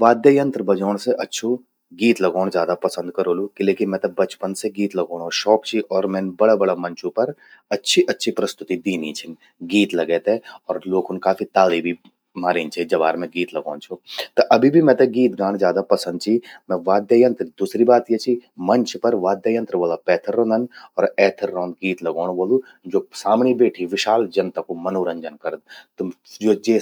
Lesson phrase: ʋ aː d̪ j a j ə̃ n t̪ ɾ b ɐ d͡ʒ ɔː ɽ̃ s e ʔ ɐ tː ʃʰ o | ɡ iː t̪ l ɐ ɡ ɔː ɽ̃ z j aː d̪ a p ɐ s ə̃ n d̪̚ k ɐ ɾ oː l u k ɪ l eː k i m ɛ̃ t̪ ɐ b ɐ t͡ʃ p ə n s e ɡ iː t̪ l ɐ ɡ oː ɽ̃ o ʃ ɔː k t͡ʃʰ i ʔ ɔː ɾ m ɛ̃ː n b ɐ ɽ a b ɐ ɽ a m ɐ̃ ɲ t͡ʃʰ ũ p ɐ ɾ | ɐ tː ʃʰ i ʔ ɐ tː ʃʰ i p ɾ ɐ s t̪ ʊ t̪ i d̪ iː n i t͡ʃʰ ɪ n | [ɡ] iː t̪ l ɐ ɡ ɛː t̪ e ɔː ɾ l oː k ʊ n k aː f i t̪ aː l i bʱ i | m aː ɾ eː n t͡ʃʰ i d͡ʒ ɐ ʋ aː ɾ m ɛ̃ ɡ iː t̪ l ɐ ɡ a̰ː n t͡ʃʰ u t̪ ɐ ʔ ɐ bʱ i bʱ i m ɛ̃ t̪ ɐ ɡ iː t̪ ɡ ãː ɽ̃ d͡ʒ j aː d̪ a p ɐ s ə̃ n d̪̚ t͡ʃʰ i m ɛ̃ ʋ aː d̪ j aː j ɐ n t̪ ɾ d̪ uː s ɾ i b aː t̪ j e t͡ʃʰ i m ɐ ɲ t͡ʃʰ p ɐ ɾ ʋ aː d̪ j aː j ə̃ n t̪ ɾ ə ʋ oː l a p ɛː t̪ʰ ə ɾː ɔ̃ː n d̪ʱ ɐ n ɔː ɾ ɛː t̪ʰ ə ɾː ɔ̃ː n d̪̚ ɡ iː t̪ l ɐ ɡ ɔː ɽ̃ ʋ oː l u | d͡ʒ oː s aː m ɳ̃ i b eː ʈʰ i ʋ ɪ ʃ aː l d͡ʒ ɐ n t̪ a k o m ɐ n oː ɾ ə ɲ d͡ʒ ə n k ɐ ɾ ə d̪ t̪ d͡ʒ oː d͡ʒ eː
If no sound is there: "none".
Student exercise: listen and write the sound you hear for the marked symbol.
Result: ɡ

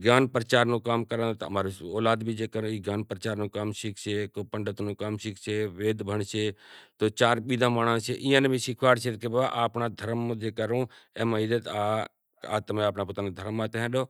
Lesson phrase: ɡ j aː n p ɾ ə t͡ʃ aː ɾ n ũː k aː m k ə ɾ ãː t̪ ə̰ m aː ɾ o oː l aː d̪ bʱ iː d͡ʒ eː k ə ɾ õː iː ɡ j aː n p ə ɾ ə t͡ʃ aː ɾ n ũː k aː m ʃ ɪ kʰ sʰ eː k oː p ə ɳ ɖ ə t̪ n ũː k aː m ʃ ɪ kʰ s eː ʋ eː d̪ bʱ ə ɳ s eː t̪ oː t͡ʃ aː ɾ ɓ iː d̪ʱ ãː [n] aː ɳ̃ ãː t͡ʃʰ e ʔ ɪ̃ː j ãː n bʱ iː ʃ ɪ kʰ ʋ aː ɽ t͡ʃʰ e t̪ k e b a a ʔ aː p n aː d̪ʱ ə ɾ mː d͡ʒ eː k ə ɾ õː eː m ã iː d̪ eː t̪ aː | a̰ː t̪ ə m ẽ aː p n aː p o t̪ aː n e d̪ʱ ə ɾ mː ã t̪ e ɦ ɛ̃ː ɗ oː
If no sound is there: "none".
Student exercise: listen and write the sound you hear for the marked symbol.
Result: m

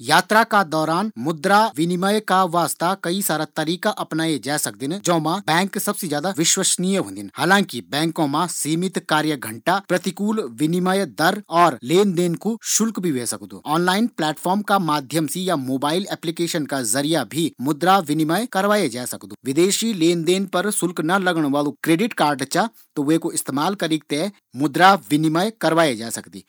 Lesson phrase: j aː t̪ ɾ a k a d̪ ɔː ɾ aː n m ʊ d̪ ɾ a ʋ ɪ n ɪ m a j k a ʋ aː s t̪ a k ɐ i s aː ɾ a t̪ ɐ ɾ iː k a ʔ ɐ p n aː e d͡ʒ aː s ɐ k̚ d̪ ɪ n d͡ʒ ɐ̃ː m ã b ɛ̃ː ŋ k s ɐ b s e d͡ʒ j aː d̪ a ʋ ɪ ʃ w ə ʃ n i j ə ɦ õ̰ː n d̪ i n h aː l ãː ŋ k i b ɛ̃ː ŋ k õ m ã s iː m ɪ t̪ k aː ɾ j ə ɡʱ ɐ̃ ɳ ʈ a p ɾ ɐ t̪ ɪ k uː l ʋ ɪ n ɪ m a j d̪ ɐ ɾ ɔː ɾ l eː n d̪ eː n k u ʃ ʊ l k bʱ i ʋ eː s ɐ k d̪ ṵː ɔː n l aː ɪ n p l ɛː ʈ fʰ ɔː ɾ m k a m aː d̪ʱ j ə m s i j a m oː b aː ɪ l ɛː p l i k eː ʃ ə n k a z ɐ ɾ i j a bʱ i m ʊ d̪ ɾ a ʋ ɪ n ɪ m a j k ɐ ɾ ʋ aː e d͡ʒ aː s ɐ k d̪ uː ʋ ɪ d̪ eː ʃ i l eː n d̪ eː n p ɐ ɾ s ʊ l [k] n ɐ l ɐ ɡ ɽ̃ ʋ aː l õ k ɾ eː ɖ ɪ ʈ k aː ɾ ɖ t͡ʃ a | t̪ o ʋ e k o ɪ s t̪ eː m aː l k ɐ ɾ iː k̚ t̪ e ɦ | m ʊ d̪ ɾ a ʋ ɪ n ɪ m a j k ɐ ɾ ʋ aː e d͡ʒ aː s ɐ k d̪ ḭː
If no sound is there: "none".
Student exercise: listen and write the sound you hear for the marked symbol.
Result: k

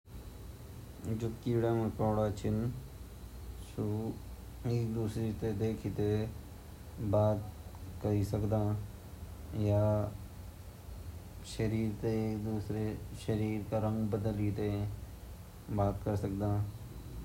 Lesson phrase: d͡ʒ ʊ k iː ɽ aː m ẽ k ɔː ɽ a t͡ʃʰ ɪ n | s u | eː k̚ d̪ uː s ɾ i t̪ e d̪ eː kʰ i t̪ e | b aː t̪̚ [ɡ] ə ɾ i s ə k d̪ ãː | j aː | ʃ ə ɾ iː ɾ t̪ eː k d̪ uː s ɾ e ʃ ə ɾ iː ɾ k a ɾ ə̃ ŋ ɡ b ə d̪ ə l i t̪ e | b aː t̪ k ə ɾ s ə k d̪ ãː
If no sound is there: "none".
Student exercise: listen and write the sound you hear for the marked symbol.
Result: k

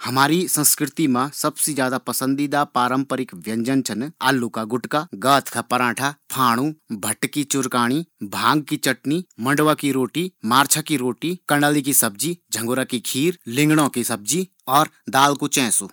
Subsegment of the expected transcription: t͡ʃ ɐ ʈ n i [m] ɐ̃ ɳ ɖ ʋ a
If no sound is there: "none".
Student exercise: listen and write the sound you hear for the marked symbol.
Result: m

